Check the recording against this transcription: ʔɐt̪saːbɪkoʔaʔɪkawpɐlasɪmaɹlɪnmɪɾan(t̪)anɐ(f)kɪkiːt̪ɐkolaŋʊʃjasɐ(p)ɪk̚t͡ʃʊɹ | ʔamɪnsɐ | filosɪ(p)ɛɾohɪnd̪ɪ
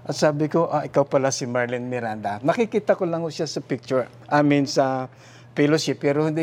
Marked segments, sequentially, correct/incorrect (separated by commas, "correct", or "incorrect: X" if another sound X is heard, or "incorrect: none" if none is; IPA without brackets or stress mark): incorrect: d̪, incorrect: none, correct, correct